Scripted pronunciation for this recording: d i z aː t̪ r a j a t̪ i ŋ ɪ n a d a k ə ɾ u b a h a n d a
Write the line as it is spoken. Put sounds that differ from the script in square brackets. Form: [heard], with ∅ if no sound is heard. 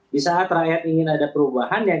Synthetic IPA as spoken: d i [s] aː t̪ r a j a t̪ i ŋ ɪ n a d a [p] ə ɾ u b a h a n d a